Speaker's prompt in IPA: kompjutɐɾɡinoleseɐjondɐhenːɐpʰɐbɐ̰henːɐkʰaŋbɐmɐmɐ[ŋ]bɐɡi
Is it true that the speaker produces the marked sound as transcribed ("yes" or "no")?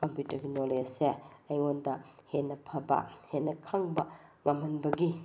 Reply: no